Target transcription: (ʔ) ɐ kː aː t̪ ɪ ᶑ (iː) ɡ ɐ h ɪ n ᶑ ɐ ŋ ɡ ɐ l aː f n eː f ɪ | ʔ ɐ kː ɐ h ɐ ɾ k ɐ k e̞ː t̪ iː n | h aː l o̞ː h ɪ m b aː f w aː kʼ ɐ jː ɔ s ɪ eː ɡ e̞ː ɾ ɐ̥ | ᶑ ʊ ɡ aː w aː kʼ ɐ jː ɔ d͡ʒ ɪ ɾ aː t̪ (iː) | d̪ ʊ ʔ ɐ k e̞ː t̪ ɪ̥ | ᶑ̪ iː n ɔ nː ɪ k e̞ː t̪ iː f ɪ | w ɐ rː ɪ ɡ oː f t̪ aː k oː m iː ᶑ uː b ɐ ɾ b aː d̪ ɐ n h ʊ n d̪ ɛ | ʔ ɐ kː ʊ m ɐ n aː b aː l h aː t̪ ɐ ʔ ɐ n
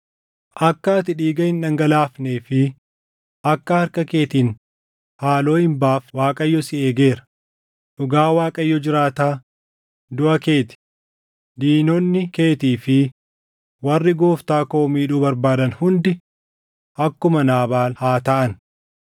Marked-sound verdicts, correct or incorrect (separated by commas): correct, correct, incorrect